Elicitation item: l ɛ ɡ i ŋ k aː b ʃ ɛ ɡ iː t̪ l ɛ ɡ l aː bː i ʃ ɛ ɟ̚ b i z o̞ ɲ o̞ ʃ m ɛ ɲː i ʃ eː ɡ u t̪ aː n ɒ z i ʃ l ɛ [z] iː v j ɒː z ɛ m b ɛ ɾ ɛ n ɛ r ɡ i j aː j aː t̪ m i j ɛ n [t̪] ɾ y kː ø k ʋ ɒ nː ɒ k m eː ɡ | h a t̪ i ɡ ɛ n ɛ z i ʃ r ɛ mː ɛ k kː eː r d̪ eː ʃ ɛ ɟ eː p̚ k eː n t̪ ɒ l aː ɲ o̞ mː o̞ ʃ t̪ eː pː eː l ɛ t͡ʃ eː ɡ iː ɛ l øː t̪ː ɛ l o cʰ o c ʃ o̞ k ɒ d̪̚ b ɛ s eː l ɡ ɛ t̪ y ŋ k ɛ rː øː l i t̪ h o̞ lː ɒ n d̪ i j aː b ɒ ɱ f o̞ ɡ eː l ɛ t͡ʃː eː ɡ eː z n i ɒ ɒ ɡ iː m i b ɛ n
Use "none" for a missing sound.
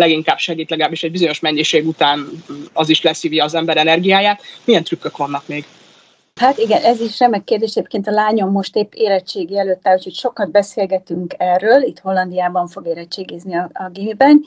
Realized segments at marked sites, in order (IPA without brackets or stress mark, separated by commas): s, t̪